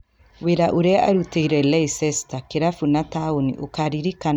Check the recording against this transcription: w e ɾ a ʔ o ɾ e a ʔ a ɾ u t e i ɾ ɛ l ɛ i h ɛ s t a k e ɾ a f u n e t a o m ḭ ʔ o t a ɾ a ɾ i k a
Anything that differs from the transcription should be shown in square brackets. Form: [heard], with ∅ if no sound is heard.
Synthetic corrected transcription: w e ɾ a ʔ o ɾ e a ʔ a ɾ u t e i ɾ ɛ l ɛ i [s] ɛ s t a k e ɾ a f u n [a] t a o [n] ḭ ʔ o [k] a ɾ [i] ɾ i k a